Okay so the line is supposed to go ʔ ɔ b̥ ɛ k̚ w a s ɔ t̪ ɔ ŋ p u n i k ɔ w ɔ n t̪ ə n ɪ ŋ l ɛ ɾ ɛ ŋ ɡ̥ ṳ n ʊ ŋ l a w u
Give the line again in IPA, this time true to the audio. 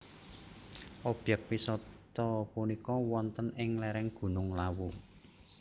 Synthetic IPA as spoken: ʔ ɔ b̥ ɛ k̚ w i s ɔ t̪ ɔ p u n i k ɔ w ɔ n t̪ ə n ɪ ŋ l ɛ ɾ ɛ ŋ ɡ̥ ṳ n ʊ ŋ l a w u

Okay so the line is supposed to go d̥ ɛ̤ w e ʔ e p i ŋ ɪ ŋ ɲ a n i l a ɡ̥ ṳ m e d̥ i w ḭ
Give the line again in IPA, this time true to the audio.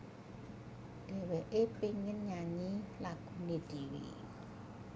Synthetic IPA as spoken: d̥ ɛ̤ w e ʔ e p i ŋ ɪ n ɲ a ɲ i l a ɡ̥ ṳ n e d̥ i w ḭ

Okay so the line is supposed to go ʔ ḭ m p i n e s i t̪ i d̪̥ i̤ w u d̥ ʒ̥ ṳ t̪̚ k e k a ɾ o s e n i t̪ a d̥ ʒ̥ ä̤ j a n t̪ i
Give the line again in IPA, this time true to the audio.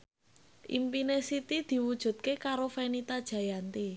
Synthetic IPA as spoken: ʔ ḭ m p i n e s i t̪ i d̪̥ i̤ w u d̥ ʒ̥ ṳ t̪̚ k e k a ɾ o f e n i t̪ a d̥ ʒ̥ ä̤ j a n t̪ i

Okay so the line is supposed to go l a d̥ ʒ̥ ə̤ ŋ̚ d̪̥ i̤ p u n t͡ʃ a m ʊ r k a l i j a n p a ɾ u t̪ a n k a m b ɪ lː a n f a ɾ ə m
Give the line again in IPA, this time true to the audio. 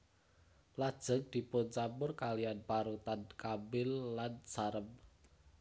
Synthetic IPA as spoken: l a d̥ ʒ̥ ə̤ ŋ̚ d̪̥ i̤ p ʊ n t͡ʃ a m ʊ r k a l i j a n p a ɾ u t̪ a n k a m b ɪ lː a n s a ɾ ə m

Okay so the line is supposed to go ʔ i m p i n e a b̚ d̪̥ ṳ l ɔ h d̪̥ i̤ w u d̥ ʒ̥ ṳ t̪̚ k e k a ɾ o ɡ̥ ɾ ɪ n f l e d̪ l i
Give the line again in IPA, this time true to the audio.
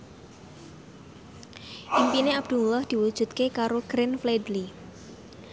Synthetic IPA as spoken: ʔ i m p i n e a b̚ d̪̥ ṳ l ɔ h d̪̥ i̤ w u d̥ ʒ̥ ṳ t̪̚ k e k a ɾ o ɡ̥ ɾ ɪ n f l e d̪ l i

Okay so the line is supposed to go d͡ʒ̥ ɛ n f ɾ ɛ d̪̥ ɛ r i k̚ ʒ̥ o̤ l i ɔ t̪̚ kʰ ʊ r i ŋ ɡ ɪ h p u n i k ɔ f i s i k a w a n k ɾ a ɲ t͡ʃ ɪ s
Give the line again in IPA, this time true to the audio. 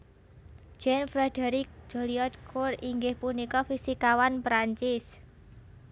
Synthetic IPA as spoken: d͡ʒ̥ ɛ n f ɾ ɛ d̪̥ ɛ ɾ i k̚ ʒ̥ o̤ l i ɔ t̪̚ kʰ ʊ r i ŋ ɡ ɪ h p u n i k ɔ f i s i k a w a n p ɾ a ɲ t͡ʃ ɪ s

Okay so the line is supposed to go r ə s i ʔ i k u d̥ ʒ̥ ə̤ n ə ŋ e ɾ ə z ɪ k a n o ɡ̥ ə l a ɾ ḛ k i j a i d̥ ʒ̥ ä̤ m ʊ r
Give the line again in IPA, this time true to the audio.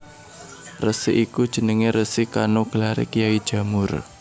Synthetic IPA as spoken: r ə s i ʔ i k u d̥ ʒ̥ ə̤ n ə ŋ e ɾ ə s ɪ k a n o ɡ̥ ə l a ɾ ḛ k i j a i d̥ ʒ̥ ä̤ m ʊ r

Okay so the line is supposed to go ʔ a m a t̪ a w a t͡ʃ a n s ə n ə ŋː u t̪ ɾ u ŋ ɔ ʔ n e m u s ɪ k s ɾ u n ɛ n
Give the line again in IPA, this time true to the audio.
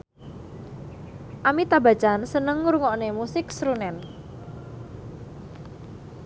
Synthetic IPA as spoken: ʔ a m i t̪ a b a t͡ʃ a n s ə n ə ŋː u ɾ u ŋ ɔ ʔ n e m u s ɪ k s ɾ u n ɛ n

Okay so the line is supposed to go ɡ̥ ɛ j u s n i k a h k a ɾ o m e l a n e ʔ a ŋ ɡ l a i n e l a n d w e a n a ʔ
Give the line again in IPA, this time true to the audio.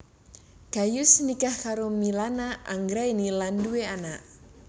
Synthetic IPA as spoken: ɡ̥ a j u s n i k a h k a ɾ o m i l a n a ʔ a ŋ ɡ ɾ a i n i l a n d u e a n a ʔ

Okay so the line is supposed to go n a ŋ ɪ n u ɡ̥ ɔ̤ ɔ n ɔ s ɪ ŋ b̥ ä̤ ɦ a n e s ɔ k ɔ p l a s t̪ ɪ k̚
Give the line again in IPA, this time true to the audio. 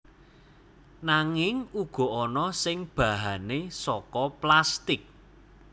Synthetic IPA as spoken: n a ŋ ɪ ŋ u ɡ̥ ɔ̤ ɔ n ɔ s ɪ ŋ b̥ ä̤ ɦ a n e s ɔ k ɔ p l a s t̪ ɪ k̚

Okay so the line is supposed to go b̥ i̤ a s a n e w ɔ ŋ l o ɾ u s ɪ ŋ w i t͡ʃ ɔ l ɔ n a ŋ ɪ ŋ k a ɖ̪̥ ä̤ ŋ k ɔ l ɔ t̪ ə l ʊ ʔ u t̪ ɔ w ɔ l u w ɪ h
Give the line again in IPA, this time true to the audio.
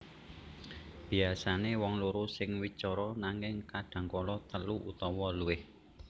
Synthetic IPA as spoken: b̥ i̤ a s a n e w ɔ ŋ l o ɾ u s ɪ ŋ w i t͡ʃ ɔ ɾ ɔ n a ŋ ɪ ŋ k a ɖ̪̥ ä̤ ŋ k ɔ l ɔ t̪ ə l u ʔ u t̪ ɔ w ɔ l u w ɪ h

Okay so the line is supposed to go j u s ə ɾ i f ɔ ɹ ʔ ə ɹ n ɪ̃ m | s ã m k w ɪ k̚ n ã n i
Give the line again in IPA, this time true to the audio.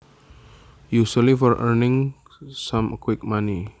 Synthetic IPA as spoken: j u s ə l i f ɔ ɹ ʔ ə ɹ n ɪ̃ ŋ | s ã m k w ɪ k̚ m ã n i

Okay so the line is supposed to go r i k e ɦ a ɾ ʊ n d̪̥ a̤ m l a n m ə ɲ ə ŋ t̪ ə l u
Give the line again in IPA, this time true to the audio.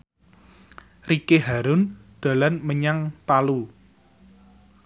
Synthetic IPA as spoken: r i k e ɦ a ɾ ʊ n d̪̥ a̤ l a n m ə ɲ a ŋ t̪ a l u

